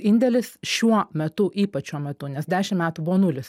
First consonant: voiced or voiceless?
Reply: voiced